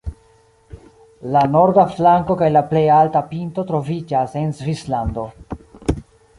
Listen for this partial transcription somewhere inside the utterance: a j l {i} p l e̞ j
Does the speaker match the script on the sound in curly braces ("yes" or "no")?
no